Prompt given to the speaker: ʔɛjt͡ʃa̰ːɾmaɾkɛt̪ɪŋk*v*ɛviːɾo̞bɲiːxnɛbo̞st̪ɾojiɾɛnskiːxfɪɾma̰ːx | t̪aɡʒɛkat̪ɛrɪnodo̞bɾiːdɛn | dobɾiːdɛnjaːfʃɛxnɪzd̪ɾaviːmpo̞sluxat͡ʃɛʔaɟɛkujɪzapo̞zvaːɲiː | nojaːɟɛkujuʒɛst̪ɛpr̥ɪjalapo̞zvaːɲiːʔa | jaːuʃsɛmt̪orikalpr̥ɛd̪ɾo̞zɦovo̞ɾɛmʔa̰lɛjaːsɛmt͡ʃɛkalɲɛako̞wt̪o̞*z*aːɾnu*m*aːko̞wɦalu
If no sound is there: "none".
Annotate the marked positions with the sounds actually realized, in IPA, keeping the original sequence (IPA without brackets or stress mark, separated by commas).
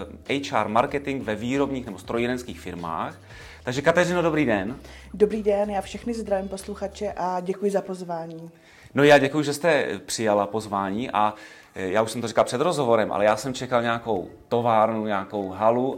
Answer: v, v, ɲ